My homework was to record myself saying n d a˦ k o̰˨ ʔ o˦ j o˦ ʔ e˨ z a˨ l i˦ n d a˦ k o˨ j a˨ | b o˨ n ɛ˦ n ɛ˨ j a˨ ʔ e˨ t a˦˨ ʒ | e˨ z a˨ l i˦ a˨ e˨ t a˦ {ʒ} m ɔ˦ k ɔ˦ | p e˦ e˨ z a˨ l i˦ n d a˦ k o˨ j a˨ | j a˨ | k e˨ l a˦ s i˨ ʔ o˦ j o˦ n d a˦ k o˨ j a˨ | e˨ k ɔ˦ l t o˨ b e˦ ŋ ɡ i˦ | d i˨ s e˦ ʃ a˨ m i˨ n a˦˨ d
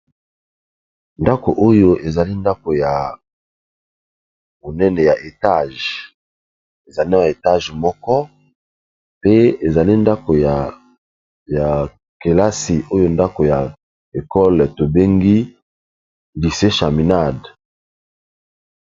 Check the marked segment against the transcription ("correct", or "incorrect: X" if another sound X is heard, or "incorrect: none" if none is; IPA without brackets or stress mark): correct